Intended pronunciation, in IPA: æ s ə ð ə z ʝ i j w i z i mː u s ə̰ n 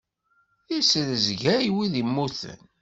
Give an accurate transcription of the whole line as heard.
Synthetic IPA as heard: i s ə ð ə z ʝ æ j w i ð i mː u θ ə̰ n